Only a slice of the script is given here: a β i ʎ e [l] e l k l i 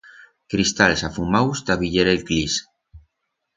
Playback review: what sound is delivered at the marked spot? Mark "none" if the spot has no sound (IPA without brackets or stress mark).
ɾ